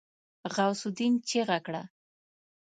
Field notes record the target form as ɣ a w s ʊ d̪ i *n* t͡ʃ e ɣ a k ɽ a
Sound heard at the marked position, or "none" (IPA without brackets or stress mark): n